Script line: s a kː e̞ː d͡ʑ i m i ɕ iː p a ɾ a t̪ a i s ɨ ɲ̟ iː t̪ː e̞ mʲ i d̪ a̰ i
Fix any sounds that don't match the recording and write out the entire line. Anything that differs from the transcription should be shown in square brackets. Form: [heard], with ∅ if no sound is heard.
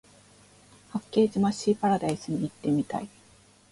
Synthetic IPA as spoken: [h] a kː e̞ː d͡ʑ i m [a] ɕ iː p a ɾ a [d̪] a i s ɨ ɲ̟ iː t̪ː e̞ mʲ i [t̪] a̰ i